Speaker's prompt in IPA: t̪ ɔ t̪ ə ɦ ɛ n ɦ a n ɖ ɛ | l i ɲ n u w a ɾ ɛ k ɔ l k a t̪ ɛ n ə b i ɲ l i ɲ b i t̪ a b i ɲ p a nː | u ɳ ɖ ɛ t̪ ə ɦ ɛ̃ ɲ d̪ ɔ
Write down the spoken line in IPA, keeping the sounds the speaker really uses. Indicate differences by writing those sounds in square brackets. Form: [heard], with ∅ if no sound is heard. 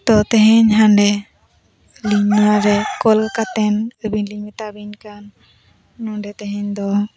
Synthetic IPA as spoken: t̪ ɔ t̪ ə ɦ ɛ [ɲ] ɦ a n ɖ ɛ | l i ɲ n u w a ɾ ɛ k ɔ l k a t̪ ɛ n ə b i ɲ l i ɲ [m] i t̪ a b i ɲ [k] a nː | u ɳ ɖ ɛ t̪ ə ɦ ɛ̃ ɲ d̪ ɔ